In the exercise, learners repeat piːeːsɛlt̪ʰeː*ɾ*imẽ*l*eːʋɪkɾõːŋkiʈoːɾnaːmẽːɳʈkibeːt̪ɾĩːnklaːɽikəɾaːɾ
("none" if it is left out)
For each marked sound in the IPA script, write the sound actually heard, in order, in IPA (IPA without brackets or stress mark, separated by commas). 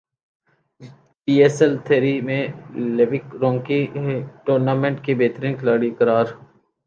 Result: ɾ, l